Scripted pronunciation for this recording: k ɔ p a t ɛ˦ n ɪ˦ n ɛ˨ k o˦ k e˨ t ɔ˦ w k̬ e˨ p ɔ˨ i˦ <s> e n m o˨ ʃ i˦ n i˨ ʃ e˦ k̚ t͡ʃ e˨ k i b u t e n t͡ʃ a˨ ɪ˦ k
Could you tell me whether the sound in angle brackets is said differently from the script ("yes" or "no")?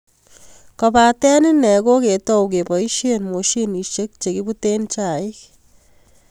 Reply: yes